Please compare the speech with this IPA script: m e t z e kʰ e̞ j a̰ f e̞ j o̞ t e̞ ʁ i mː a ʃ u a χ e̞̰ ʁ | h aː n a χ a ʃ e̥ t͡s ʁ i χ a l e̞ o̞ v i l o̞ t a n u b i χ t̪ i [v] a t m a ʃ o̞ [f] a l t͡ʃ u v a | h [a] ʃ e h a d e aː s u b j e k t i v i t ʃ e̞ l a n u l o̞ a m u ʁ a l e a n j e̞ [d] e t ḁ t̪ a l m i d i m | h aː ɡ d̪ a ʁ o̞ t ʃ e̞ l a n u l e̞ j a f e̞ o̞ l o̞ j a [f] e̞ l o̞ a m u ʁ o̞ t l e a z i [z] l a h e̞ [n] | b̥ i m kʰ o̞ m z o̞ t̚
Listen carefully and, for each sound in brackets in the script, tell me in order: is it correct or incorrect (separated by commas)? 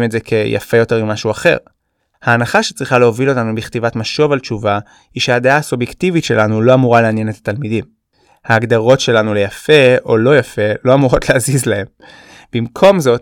correct, incorrect, incorrect, incorrect, correct, correct, incorrect